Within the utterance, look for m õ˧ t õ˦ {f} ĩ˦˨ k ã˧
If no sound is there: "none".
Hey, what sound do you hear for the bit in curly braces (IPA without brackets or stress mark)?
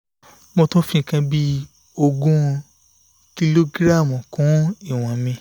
f